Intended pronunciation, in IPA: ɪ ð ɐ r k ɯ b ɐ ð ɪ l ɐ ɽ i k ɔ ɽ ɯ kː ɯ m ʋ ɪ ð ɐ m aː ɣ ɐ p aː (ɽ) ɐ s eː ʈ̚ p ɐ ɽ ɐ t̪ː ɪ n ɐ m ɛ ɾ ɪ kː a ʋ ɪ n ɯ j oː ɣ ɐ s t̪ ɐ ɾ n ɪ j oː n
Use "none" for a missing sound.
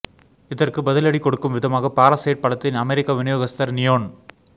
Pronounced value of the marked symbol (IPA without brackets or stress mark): ɾ